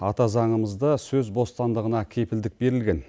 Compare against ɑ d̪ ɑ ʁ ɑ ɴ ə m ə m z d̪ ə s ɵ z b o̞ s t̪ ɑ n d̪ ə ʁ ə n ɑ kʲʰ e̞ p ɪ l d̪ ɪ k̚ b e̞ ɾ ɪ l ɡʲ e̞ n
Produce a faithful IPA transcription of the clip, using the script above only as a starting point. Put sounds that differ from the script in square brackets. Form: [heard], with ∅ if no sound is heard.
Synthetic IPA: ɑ [t̪] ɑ [z] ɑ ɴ ə m ə [∅] z d̪ ə s ɵ z b o̞ s t̪ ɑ n d̪ ə ʁ ə n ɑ kʲʰ e̞ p ɪ l d̪ ɪ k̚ b e̞ ɾ ɪ l ɡʲ e̞ n